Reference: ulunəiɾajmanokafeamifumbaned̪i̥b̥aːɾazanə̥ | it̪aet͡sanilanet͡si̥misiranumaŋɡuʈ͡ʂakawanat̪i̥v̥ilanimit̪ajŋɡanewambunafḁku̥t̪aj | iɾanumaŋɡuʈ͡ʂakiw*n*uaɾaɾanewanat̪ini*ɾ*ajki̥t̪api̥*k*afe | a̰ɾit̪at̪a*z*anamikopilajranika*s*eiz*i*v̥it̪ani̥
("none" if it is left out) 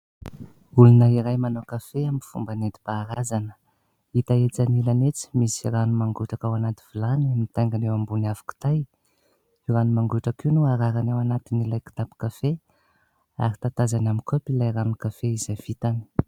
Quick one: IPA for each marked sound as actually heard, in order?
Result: n, l, k, z, f, a

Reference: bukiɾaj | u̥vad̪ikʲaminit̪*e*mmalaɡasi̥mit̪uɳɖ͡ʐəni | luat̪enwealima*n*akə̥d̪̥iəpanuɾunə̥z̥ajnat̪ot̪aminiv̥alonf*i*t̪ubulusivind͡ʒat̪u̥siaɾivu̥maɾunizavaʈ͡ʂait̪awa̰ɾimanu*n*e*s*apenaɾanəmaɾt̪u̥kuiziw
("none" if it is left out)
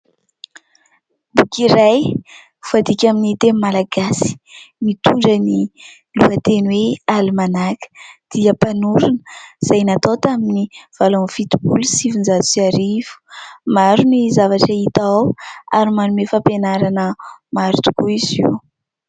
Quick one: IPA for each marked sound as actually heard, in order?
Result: e, n, i, m, f

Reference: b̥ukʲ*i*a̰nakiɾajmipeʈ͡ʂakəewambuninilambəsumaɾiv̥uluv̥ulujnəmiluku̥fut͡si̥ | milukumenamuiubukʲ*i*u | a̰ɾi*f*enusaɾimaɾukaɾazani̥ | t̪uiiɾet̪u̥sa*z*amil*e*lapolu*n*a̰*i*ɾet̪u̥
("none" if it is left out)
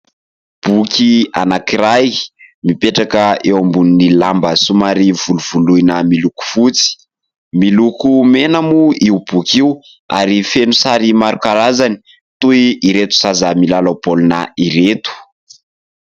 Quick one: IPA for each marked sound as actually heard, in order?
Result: i, i, f, z, a, n, i

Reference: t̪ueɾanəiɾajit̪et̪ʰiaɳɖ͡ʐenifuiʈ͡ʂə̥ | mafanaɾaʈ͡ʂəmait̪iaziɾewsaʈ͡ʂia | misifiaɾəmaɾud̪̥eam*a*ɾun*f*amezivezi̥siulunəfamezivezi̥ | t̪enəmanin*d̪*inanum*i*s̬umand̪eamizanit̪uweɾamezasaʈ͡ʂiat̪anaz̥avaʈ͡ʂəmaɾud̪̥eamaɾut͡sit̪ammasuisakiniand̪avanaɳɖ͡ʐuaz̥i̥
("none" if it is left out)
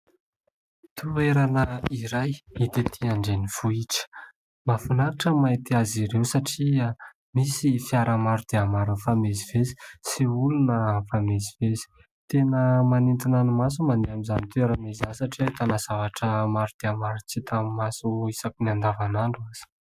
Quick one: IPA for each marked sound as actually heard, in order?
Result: a, f, t̪, a

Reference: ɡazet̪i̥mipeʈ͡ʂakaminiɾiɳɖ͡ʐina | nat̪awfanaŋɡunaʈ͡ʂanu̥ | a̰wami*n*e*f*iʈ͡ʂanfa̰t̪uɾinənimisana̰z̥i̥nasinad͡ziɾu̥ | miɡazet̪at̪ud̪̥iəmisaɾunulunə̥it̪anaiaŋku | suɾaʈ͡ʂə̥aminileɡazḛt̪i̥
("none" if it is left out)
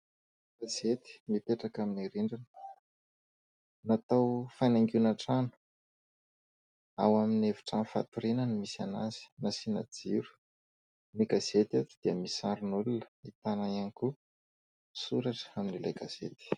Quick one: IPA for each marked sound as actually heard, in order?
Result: n, v

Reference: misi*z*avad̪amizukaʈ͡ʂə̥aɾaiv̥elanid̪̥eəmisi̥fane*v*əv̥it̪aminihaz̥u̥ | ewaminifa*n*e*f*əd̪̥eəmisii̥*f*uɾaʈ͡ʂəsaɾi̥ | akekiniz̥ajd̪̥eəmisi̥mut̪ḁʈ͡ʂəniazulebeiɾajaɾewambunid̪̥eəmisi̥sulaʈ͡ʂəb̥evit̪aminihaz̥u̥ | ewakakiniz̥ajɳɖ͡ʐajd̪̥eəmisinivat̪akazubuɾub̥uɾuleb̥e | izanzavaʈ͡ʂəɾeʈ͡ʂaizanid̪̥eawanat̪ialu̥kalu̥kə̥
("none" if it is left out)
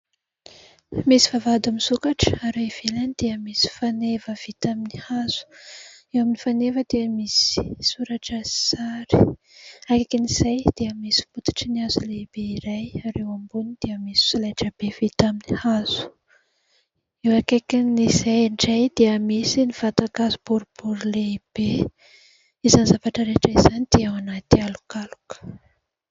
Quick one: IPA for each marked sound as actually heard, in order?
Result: v, v, n, v, s

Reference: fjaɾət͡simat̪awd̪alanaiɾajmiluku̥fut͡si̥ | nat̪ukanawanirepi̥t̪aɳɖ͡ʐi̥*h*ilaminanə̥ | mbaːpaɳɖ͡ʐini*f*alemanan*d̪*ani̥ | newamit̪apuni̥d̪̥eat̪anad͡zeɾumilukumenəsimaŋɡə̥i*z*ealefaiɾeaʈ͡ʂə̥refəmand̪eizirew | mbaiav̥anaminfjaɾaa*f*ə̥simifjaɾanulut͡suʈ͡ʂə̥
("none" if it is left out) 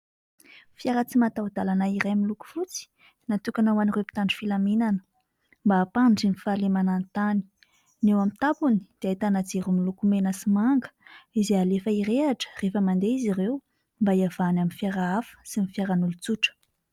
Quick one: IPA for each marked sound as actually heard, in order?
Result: f, f, t̪, z, f

